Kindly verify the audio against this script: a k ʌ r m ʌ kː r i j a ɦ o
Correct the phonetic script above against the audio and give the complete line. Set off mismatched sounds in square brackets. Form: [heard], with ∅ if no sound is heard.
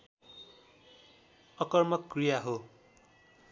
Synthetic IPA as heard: [ʌ] k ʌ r m ʌ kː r i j a ɦ o